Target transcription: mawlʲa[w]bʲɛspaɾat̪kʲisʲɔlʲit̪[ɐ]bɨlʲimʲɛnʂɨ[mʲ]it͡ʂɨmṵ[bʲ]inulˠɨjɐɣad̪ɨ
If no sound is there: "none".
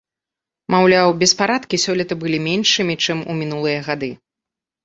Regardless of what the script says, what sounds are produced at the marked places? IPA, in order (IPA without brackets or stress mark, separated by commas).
w, ɐ, mʲ, mʲ